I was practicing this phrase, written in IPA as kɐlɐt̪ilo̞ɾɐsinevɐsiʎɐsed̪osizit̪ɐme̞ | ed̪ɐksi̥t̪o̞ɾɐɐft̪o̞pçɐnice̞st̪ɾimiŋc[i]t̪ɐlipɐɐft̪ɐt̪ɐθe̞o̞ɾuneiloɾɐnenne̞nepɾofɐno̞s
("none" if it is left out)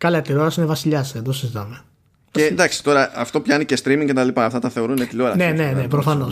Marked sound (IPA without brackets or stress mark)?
e